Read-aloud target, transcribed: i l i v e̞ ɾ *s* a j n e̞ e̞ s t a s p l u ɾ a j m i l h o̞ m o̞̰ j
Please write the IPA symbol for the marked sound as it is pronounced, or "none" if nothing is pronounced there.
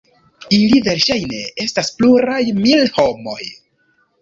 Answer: ʃ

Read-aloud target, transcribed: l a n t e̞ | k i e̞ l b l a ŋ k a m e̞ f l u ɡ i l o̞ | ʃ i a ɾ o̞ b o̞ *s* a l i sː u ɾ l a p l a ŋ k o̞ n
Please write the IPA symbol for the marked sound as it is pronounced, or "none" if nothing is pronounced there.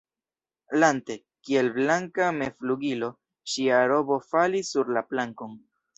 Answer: f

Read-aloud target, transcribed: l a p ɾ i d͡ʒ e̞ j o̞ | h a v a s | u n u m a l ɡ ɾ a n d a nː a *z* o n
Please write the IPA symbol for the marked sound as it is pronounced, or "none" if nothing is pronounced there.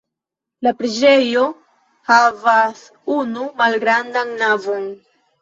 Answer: v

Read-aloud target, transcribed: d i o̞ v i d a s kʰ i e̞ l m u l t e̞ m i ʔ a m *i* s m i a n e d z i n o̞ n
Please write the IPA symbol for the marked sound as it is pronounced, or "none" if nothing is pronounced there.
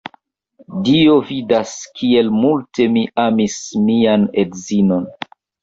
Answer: i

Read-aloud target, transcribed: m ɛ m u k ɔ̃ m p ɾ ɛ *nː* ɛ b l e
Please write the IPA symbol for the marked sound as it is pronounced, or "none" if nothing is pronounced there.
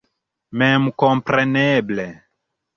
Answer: n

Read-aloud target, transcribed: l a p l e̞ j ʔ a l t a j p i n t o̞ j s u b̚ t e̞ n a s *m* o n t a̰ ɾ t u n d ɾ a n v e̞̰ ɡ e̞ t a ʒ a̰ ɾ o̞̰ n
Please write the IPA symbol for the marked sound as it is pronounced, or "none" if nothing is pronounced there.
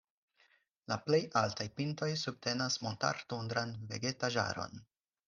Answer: m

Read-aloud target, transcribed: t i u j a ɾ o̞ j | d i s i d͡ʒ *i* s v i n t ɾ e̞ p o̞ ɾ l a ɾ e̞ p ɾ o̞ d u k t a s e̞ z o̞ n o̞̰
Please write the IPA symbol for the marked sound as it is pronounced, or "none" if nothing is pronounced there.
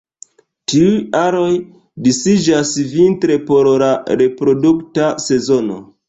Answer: a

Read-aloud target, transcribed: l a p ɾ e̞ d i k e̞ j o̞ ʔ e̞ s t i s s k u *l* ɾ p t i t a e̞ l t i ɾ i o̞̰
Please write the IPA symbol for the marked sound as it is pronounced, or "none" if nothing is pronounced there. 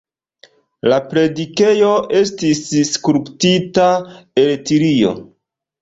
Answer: none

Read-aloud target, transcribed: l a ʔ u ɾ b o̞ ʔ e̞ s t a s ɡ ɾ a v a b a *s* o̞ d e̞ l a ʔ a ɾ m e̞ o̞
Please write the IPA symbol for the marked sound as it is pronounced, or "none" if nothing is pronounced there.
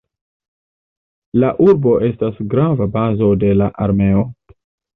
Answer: z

